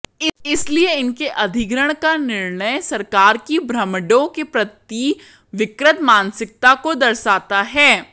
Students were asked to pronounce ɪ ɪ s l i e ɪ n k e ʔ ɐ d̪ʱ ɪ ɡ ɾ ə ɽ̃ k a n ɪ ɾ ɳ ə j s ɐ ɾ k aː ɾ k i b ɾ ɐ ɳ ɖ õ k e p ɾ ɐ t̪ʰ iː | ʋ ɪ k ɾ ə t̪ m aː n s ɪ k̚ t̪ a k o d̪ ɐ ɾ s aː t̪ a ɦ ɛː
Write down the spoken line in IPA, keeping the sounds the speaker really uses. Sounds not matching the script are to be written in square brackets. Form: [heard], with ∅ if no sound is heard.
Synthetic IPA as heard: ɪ ɪ s l i e ɪ n k e ʔ ɐ d̪ʱ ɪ ɡ ɾ ə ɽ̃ k a n ɪ ɾ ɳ ə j s ɐ ɾ k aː ɾ k i b ɾ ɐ [m] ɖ õ k e p ɾ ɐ [t̪] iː | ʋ ɪ k ɾ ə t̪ m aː n s ɪ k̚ t̪ a k o d̪ ɐ ɾ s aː t̪ a ɦ ɛː

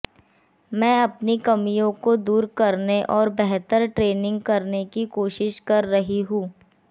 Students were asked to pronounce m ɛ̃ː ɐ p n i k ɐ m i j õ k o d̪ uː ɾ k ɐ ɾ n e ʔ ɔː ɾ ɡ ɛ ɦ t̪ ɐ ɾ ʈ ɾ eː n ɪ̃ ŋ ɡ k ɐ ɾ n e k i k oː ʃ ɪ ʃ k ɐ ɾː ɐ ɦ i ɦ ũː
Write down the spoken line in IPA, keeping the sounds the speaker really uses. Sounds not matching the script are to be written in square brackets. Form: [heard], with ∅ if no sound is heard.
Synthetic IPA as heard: m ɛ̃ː ɐ p n i k ɐ m i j õ k o d̪ uː ɾ k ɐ ɾ n e ʔ ɔː ɾ [b] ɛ ɦ t̪ [ə] ɾ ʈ ɾ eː n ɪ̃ ŋ ɡ k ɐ ɾ n e k i k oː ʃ ɪ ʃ k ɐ ɾː ɐ ɦ i ɦ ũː

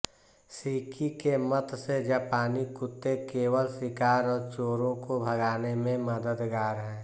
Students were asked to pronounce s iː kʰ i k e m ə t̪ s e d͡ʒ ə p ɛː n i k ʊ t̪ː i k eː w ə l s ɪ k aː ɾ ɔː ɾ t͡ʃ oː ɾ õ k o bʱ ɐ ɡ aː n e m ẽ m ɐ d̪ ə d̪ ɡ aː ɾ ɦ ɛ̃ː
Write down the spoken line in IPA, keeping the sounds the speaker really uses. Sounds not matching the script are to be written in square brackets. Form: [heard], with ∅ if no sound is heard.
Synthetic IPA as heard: s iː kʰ i k e m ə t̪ s e d͡ʒ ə p [aː] n i k ʊ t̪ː [e] k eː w ə l s ɪ k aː ɾ ɔː ɾ t͡ʃ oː ɾ õ k o bʱ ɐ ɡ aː n e m ẽ m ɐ d̪ ə d̪ ɡ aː ɾ ɦ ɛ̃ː

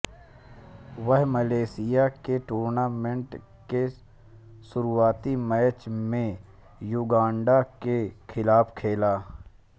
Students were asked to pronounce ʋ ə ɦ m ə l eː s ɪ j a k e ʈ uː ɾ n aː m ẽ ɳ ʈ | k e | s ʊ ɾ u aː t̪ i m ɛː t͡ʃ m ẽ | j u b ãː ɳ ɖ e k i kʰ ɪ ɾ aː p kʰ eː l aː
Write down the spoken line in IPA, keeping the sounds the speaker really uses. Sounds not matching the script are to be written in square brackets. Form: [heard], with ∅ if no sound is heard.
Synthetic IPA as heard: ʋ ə ɦ m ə l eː s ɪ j a k e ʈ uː ɾ n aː m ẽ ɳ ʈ | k e | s ʊ ɾ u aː t̪ i m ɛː t͡ʃ m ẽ | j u [ɡ] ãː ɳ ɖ [a] k [e] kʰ ɪ [l] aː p kʰ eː l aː

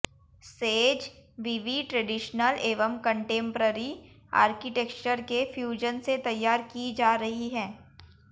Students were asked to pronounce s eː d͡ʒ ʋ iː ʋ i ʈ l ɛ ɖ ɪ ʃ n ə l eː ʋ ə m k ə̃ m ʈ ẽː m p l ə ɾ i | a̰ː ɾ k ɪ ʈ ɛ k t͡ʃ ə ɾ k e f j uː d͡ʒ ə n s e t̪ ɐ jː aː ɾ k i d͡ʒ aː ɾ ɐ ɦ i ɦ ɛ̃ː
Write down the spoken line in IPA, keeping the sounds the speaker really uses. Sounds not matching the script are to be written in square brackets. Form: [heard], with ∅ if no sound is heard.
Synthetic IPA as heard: s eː d͡ʒ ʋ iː ʋ i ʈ [ɾ] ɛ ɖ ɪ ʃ n ə l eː ʋ ə m k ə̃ [ɳ] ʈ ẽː m p [ɾ] ə ɾ i | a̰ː ɾ k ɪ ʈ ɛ k t͡ʃ ə ɾ k e f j uː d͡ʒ ə n s e t̪ ɐ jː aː ɾ k i d͡ʒ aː ɾ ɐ ɦ i ɦ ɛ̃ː

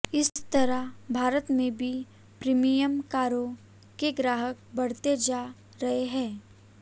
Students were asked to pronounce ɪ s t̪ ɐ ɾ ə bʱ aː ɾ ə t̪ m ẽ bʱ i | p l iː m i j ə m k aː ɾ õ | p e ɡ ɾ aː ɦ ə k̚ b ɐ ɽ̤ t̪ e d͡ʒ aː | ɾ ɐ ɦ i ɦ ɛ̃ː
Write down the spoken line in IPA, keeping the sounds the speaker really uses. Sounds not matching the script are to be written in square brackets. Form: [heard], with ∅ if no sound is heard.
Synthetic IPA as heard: ɪ s t̪ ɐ ɾ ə bʱ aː ɾ ə t̪ m ẽ bʱ i | p [ɾ] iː m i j ə m k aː ɾ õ | [k] e ɡ ɾ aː ɦ ə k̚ b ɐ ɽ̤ t̪ e d͡ʒ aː | ɾ ɐ ɦ [e] ɦ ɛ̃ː

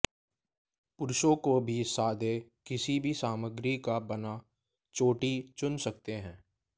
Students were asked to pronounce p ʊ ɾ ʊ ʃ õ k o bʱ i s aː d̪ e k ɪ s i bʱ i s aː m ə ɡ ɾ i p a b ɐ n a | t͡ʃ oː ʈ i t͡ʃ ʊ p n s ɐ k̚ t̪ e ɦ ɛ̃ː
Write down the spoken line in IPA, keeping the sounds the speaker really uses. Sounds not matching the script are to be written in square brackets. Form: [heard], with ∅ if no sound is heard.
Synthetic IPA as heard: p ʊ ɾ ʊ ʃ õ k o bʱ i s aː d̪ e k ɪ s i bʱ i s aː m ə ɡ ɾ i [k] a b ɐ n a | t͡ʃ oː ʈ i t͡ʃ ʊ [∅] n s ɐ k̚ t̪ e ɦ ɛ̃ː

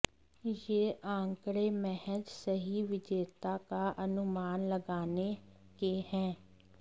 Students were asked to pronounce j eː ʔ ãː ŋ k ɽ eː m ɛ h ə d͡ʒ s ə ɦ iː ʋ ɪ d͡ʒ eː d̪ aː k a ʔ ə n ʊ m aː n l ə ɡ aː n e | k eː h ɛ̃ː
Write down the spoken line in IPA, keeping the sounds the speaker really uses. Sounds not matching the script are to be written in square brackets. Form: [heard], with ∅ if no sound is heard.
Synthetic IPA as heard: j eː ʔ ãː ŋ k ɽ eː m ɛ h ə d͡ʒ s ə ɦ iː ʋ ɪ d͡ʒ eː [t̪] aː k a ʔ ə n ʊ m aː n l ə ɡ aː n e | k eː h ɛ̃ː

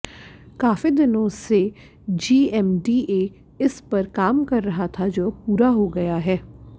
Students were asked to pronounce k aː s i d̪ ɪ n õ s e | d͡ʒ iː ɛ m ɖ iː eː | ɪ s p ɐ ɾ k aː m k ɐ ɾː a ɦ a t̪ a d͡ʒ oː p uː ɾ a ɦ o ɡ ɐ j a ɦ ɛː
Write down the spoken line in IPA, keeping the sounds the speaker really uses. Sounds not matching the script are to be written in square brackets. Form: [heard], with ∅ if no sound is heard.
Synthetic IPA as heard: k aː [f] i d̪ ɪ n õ s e | d͡ʒ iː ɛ m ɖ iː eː | ɪ s p ɐ ɾ k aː m k ɐ ɾː [ɐ] ɦ a [t̪ʰ] a d͡ʒ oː p uː ɾ a ɦ o ɡ ɐ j a ɦ ɛː

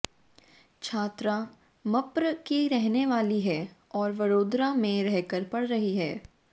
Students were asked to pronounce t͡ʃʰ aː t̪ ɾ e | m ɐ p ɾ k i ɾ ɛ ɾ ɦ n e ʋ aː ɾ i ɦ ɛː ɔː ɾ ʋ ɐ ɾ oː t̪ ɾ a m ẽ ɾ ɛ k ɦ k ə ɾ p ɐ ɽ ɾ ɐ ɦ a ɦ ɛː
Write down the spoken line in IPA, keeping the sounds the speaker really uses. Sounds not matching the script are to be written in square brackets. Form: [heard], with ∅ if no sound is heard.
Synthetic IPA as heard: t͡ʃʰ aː t̪ ɾ [a] | m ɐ p ɾ k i ɾ ɛ [∅] ɦ n e ʋ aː [l] i ɦ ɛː ɔː ɾ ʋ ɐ ɾ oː [d̪] ɾ a m ẽ ɾ ɛ [∅] ɦ k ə ɾ p ɐ ɽ ɾ ɐ ɦ [i] ɦ ɛː

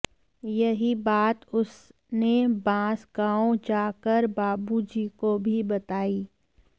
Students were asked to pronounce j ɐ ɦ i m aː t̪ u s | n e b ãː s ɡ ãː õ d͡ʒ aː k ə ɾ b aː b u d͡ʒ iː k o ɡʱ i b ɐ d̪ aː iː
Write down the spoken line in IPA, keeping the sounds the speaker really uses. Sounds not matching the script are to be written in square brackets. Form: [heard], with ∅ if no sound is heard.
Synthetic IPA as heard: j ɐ ɦ i [b] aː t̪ [ʊ] s | n e b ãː s ɡ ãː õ d͡ʒ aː k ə ɾ b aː b u d͡ʒ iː k o [bʱ] i b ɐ [t̪] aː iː

